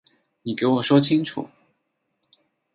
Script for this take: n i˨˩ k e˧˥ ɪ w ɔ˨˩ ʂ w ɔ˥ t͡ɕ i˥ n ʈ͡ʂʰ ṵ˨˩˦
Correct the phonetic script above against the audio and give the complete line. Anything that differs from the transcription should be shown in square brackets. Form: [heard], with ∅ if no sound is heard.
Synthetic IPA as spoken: n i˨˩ k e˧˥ ɪ w ɔ˨˩ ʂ w ɔ˥ [t͡ɕʰ] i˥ [ŋ] ʈ͡ʂʰ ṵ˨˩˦